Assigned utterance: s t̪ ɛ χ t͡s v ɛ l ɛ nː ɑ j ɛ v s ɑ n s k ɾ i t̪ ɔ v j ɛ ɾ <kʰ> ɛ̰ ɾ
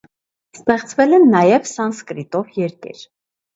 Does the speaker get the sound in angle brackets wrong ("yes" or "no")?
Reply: yes